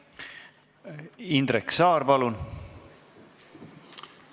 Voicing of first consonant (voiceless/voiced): voiced